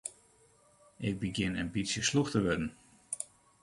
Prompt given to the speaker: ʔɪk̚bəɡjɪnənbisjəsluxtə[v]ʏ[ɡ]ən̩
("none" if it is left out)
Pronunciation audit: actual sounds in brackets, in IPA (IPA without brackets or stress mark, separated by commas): ʋ, d